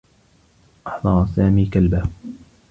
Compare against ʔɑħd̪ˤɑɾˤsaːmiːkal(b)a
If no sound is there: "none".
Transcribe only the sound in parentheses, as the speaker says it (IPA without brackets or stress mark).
b